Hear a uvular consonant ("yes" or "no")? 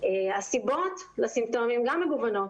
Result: no